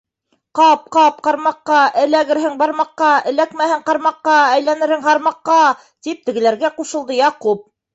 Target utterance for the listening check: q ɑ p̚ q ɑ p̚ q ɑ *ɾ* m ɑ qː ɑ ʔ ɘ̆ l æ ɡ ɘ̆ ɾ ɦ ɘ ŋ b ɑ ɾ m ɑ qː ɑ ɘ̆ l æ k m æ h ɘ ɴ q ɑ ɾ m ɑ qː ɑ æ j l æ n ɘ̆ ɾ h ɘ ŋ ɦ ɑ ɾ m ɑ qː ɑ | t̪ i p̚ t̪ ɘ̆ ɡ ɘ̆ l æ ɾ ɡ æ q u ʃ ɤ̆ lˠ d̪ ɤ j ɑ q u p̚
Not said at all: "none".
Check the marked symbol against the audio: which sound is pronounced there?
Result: ɾ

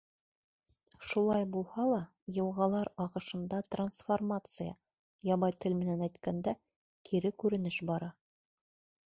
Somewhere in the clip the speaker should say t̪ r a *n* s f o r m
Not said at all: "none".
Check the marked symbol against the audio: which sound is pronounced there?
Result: n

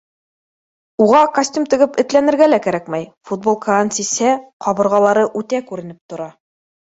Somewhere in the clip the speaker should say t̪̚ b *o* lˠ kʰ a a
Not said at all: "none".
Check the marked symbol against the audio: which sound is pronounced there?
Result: o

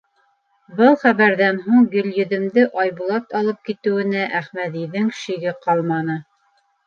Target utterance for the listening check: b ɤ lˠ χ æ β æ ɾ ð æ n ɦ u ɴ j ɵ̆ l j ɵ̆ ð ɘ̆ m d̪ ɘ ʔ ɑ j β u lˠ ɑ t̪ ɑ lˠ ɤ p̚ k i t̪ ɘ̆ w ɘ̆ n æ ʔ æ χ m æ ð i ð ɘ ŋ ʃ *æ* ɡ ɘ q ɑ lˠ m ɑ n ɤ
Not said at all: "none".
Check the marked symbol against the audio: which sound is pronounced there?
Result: i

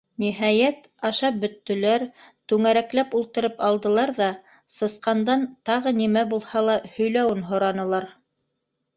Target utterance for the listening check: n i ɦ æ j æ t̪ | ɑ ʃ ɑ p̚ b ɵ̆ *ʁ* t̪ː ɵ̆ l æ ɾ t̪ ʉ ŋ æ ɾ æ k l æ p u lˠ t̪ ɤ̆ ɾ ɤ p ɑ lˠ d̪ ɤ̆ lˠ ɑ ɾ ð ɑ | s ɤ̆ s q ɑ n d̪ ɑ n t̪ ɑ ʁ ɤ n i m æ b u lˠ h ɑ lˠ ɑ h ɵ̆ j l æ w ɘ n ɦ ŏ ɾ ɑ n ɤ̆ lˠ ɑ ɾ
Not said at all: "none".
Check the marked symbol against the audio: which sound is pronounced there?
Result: none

